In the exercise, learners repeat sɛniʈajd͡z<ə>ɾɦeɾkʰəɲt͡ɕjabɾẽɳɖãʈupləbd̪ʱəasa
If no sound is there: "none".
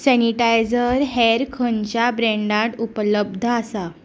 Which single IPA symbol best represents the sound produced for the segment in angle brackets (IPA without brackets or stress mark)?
ə